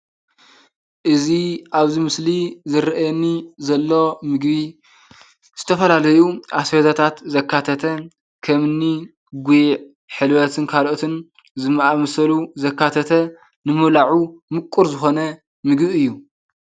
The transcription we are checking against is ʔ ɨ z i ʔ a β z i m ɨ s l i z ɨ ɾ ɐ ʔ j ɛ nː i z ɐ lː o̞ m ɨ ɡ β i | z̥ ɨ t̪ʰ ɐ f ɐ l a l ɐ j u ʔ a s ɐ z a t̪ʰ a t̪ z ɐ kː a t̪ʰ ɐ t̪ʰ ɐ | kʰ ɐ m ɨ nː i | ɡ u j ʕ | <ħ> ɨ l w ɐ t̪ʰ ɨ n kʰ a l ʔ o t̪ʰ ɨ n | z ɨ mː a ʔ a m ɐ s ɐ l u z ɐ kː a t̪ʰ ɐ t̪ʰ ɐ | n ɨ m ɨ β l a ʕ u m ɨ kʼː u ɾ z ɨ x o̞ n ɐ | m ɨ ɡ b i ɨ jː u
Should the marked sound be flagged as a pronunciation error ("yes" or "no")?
no